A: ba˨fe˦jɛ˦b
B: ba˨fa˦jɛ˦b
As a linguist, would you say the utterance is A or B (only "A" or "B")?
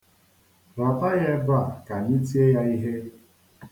B